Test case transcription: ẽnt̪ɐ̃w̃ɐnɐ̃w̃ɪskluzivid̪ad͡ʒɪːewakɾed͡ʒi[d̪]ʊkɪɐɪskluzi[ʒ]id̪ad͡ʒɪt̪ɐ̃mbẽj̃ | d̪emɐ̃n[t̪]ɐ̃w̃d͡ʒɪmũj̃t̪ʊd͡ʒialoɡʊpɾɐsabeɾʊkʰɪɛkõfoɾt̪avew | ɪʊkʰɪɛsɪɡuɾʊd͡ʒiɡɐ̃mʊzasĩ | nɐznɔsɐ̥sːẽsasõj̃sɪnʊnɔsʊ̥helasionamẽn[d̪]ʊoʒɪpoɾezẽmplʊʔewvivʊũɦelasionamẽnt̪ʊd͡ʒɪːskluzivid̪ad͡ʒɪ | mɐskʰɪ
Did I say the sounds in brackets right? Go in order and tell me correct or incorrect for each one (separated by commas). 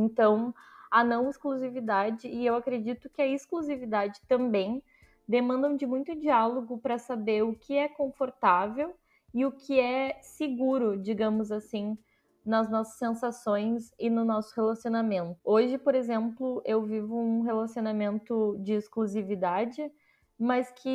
incorrect, incorrect, incorrect, incorrect